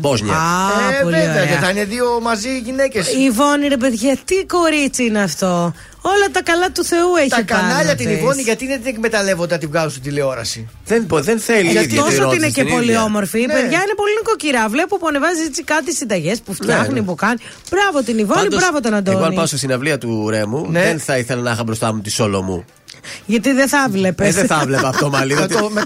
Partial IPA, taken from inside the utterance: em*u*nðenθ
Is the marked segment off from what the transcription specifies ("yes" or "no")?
no